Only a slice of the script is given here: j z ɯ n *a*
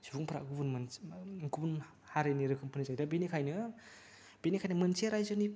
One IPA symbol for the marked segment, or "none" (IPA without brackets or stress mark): i